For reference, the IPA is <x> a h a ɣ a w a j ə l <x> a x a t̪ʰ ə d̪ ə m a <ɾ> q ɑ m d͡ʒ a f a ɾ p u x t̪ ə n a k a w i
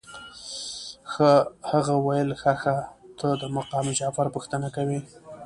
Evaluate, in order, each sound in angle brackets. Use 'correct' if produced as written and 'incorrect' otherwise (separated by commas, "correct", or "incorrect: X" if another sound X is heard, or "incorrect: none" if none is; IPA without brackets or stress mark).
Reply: correct, correct, incorrect: none